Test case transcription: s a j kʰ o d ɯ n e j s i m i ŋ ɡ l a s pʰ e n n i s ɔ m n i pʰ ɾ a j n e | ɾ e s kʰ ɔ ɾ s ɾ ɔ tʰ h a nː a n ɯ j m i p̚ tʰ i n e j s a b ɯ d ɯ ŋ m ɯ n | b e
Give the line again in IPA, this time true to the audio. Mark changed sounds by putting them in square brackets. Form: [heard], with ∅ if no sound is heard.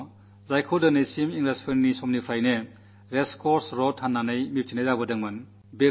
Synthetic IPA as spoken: [z] a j kʰ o d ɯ n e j s i m i ŋ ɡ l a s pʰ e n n i s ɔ m n i pʰ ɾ a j n e | ɾ e s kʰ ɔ ɾ s ɾ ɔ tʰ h a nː a n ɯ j m i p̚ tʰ i n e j [z] a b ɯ d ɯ ŋ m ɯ n | b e